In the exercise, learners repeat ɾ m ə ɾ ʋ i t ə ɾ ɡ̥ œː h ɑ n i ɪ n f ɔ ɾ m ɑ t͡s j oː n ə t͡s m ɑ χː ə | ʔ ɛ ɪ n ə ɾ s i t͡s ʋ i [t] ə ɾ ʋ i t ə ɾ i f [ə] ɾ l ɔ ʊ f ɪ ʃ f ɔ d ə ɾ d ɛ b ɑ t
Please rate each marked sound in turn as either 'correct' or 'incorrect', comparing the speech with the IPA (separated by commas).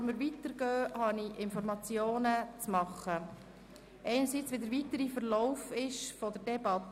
incorrect, correct